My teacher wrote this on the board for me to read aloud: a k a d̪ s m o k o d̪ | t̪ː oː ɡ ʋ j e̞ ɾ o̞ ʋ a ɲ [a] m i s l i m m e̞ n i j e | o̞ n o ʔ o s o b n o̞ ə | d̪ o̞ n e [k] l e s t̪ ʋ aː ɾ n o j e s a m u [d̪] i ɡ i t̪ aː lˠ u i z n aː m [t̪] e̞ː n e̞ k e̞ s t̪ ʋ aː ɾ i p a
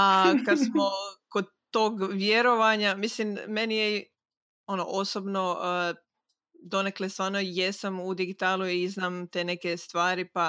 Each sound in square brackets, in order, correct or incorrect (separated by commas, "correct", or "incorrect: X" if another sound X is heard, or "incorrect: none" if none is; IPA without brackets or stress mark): correct, correct, correct, correct